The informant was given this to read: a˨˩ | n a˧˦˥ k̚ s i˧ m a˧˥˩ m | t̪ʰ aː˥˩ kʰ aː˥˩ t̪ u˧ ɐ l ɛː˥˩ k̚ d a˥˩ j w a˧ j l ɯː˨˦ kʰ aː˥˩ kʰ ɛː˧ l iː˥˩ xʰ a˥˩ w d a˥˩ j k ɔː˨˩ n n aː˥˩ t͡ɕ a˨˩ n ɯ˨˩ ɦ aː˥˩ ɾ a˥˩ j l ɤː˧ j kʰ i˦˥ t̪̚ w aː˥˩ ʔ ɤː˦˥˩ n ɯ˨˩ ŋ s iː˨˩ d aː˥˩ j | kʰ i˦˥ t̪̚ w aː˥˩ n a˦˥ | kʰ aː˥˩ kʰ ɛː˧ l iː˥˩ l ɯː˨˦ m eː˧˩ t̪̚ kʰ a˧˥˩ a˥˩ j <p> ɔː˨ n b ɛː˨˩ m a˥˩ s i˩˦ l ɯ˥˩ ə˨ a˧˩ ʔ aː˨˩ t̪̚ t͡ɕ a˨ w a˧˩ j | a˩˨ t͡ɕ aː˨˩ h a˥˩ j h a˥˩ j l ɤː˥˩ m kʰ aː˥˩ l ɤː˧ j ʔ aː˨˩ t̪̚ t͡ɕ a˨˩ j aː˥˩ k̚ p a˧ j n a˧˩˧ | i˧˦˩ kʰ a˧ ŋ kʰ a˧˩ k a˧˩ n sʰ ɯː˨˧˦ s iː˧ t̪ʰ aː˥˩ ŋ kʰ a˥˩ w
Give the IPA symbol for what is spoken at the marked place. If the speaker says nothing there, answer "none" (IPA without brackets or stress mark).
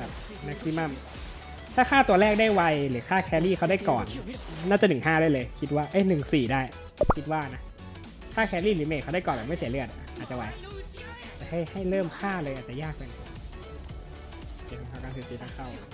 k